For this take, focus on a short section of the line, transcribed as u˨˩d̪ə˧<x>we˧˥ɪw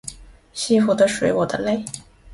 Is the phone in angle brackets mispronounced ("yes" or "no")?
yes